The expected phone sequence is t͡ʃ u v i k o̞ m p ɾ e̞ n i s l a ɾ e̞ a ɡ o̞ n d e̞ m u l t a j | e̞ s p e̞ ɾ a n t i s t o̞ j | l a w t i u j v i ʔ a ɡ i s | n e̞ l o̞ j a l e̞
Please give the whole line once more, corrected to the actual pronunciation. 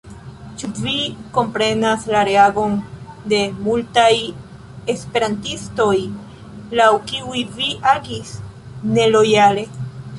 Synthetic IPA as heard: t͡ʃ u v i k o̞ m p ɾ e̞ n a s l a ɾ e̞ a ɡ o̞ n d e̞ m u l t a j | e̞ s p e̞ ɾ a n t i s t o̞ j | l a w k i u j v i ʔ a ɡ i s | n e̞ l o̞ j a l e̞